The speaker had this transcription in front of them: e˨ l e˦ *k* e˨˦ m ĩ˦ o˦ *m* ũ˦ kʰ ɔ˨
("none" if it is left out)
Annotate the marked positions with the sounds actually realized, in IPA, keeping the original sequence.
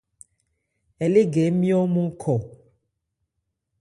ɡ, m

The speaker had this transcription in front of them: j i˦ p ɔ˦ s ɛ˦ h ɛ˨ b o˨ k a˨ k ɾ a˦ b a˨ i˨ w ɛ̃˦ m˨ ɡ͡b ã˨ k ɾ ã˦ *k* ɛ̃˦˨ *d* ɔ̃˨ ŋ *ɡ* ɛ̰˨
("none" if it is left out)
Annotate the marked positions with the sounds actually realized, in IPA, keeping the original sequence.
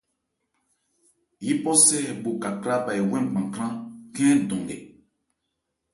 k, d, ɡ

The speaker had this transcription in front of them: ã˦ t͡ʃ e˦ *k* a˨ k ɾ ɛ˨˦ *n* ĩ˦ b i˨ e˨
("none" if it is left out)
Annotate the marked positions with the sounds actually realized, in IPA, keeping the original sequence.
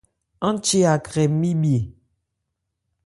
none, m

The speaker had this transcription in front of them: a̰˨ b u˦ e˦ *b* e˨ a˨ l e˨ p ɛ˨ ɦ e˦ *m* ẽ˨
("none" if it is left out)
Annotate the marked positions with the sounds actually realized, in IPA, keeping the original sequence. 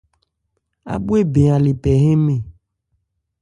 b, m

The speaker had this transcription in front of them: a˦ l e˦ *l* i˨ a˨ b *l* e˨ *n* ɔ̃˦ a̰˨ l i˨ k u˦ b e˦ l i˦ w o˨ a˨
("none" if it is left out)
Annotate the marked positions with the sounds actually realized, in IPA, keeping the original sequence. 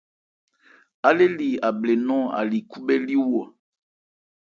l, l, n

